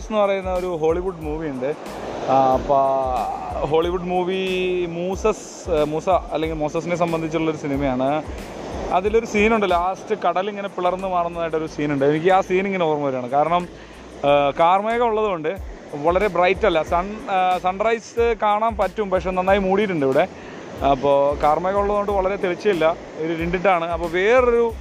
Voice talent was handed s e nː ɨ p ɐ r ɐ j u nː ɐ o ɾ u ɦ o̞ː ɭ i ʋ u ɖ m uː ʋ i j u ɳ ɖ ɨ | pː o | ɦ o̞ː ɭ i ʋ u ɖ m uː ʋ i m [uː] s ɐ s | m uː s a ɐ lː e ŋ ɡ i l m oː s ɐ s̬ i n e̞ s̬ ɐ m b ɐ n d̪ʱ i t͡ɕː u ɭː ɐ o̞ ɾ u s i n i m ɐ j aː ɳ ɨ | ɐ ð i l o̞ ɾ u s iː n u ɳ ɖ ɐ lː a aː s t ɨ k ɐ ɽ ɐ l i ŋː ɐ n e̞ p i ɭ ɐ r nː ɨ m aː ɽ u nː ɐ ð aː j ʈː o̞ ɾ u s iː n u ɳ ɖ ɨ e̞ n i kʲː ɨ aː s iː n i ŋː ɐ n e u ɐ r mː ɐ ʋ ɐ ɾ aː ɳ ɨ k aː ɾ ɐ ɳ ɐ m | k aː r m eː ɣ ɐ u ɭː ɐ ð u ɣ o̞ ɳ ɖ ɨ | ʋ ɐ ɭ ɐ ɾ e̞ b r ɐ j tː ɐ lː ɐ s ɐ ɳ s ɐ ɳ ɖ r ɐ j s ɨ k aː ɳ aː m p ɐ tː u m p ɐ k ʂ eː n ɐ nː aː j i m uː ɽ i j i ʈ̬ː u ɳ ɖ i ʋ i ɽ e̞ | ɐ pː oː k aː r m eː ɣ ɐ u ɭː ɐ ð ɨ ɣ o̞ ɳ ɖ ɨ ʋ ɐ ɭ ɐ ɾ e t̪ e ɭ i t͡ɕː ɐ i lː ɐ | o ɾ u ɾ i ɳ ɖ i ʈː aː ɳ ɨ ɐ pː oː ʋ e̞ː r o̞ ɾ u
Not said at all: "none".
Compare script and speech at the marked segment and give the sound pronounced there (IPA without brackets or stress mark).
uː